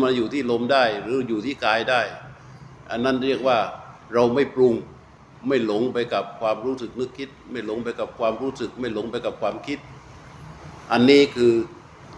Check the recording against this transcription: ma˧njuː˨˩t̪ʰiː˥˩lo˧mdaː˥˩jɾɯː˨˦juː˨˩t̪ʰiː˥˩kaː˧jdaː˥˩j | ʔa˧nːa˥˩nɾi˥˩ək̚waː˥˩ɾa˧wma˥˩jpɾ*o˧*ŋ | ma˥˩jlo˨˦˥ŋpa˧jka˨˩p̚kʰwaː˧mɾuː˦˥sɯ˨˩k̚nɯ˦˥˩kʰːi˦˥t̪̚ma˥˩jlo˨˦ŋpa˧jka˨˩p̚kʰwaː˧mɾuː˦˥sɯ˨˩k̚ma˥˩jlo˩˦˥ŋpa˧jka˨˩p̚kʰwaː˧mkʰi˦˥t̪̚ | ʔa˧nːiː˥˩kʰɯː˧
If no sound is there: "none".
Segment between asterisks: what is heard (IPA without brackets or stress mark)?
u˧